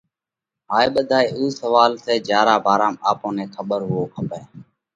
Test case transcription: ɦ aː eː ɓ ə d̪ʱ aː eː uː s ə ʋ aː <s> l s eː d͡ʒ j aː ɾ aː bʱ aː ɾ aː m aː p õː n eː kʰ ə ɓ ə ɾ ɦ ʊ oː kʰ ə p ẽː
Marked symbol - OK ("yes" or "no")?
no